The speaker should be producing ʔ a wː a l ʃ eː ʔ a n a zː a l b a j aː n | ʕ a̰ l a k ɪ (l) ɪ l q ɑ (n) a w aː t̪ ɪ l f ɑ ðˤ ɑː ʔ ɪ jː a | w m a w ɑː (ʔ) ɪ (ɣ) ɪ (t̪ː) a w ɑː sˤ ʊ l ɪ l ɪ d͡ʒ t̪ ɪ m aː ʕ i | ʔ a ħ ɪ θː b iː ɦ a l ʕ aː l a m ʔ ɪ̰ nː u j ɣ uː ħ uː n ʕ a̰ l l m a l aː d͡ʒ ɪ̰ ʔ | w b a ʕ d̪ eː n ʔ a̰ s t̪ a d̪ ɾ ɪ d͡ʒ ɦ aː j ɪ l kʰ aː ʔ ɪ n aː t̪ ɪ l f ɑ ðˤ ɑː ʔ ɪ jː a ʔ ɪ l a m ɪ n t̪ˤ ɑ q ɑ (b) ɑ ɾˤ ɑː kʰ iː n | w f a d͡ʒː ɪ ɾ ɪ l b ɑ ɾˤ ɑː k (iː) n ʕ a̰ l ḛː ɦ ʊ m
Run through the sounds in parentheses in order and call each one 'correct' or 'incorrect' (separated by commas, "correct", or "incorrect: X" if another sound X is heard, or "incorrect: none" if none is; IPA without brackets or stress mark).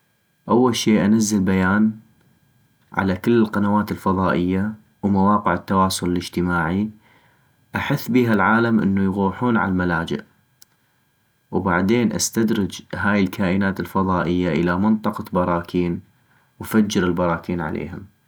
incorrect: lː, correct, incorrect: q, incorrect: ʕ, correct, correct, correct